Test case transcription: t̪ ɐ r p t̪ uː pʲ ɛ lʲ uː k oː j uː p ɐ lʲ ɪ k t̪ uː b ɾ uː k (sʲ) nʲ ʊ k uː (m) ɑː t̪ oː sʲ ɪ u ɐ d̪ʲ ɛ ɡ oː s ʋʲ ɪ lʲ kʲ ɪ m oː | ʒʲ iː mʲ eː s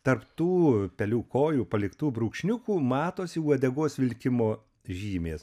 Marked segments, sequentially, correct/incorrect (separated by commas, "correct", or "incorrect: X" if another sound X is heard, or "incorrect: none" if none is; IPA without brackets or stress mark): incorrect: ʃʲ, correct